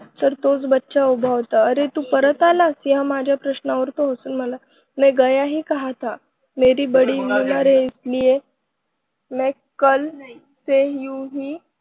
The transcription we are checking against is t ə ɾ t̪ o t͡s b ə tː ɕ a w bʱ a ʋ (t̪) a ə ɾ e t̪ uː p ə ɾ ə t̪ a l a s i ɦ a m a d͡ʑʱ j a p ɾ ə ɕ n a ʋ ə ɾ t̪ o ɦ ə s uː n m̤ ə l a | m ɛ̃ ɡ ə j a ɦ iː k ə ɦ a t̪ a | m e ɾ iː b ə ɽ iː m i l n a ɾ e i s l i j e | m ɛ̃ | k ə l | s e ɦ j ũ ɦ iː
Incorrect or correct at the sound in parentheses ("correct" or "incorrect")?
correct